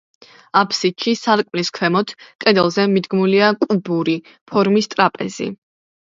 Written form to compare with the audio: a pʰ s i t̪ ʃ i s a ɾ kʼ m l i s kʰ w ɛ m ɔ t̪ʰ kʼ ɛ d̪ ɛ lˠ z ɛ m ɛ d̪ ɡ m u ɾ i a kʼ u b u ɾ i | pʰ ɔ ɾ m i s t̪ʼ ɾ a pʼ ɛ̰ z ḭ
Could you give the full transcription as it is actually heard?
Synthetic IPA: a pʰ s i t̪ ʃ i s a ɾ kʼ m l i s kʰ w ɛ m ɔ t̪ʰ kʼ ɛ d̪ ɛ lˠ z ɛ m i d̪ ɡ m u l i a kʼ u b u ɾ i | pʰ ɔ ɾ m i s t̪ʼ ɾ a pʼ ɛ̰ z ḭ